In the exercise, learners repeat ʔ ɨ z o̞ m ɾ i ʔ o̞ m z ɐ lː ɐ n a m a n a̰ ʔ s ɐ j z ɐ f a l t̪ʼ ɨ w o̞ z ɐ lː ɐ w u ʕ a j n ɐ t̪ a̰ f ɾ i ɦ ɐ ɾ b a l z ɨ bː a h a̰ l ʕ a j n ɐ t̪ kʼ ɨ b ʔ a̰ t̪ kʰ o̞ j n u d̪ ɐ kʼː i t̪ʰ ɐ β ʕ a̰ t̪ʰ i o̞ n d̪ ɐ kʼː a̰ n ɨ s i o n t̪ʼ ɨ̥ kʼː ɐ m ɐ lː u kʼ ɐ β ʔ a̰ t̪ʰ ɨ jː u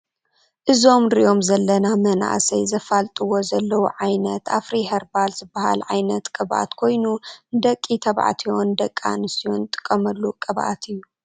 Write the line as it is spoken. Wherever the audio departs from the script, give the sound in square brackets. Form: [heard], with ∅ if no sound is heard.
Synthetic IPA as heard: ʔ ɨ z o̞ m ɾ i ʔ o̞ m z ɐ lː ɐ n a m [ɐ] n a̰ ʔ s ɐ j z ɐ f a l t̪ʼ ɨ w o̞ z ɐ lː ɐ w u ʕ a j n ɐ t̪ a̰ f ɾ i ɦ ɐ ɾ b a l z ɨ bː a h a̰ l ʕ a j n ɐ t̪ kʼ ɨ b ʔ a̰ t̪ kʰ o̞ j n u d̪ ɐ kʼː i t̪ʰ ɐ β ʕ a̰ t̪ʰ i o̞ n d̪ ɐ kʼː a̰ n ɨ s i o n t̪ʼ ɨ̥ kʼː ɐ m ɐ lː u kʼ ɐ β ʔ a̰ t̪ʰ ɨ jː u